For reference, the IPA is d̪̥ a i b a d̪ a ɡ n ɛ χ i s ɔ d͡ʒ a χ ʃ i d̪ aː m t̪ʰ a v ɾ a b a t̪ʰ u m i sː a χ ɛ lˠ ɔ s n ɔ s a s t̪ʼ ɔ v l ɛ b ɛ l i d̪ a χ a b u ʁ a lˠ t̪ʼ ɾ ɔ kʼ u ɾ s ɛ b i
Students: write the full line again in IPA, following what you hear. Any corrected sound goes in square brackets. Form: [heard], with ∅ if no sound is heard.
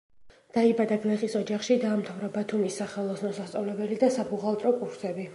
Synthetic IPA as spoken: d̪̥ a i b a d̪ a ɡ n ɛ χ i s ɔ d͡ʒ a χ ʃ i d̪ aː m t̪ʰ a v ɾ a b a t̪ʰ u m i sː a χ ɛ lˠ ɔ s n ɔ s a s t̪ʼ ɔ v l ɛ b ɛ l i d̪ a [s] a b u ʁ a lˠ t̪ʼ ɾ ɔ kʼ u ɾ s ɛ b i